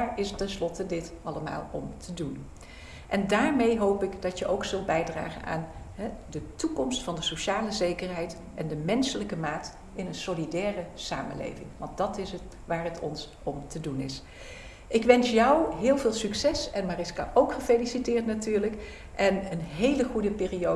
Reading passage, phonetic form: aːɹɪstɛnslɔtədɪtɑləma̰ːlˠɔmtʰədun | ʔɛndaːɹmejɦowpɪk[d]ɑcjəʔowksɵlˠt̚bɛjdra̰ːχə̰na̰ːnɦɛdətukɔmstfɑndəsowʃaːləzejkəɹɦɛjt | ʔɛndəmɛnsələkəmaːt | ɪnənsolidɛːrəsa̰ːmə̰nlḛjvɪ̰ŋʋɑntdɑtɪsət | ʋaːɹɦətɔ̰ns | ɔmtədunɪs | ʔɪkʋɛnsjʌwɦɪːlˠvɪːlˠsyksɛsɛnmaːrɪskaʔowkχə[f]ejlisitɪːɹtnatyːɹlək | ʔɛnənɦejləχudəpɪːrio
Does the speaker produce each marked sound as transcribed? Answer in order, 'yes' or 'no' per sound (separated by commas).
yes, yes